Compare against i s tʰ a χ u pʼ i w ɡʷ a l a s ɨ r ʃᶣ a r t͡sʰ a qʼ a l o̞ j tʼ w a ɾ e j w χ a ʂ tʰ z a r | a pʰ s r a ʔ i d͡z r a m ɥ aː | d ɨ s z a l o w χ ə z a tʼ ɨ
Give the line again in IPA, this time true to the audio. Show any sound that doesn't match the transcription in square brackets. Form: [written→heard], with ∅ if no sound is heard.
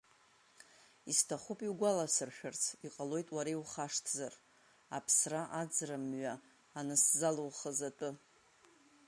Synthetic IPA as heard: i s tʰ a χ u pʼ i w ɡʷ a l a s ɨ r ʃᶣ a r t͡sʰ [a→i] qʼ a l o̞ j tʼ w a ɾ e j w χ a ʂ tʰ z a r | a pʰ s r a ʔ [i→a] d͡z r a m ɥ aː | [d→n] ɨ s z a l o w χ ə z a tʼ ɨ